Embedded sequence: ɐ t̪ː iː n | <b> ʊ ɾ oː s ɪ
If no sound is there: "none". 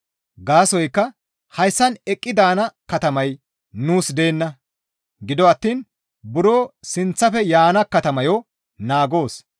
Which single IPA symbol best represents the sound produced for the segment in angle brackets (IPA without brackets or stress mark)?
b